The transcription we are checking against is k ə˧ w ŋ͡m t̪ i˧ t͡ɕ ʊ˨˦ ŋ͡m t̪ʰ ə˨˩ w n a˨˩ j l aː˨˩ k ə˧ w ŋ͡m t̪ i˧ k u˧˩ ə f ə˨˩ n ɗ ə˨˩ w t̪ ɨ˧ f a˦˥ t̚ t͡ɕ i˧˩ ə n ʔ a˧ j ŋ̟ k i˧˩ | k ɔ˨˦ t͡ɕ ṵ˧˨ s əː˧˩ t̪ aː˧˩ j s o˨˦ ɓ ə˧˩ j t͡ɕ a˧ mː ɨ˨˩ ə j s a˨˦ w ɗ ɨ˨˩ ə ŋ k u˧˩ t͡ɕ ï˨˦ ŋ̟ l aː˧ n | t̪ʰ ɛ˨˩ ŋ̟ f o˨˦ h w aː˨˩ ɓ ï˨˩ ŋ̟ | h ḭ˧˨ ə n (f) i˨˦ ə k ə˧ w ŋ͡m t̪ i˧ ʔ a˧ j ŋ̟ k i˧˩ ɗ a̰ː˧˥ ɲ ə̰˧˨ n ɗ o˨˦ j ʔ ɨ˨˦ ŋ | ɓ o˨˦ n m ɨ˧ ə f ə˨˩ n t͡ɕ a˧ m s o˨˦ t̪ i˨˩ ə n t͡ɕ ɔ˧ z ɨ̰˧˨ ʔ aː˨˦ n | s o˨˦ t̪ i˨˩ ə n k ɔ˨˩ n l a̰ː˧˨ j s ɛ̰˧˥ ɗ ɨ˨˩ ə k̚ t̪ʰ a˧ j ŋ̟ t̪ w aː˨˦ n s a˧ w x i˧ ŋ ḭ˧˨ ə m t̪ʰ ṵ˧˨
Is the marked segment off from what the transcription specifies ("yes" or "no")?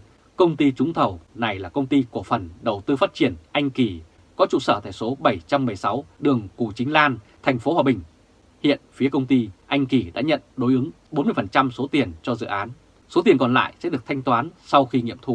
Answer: no